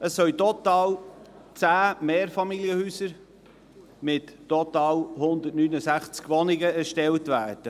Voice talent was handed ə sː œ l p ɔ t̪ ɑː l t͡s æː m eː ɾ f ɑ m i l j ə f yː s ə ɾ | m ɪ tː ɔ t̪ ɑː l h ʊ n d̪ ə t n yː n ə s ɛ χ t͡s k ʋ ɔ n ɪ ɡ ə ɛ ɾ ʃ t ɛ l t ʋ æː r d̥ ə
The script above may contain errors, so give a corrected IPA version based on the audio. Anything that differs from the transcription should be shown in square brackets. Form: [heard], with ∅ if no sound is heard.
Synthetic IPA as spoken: ə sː œ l [t] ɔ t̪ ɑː l t͡s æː m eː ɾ f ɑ m i l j ə [h] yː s ə ɾ | m ɪ tː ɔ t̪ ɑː l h ʊ n d̪ ə t n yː n ə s [æ] χ t͡s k ʋ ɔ n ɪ ɡ ə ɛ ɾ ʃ t ɛ l t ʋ æː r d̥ ə